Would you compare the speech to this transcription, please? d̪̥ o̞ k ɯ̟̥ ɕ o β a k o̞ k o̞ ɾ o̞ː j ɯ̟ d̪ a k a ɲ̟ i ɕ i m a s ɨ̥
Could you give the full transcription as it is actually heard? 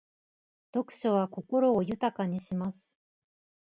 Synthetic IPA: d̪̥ o̞ k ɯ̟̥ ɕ o β a k o̞ k o̞ ɾ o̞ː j ɯ̟ t̪ a k a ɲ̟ i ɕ i m a s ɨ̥